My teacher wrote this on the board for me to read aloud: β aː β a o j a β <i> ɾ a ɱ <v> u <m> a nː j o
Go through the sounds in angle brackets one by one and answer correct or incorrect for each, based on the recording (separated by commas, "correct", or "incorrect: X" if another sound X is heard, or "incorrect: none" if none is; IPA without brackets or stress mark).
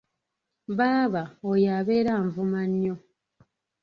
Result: incorrect: e, correct, correct